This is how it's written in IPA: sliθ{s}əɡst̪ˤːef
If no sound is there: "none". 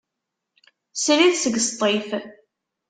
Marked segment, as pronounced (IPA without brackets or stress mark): s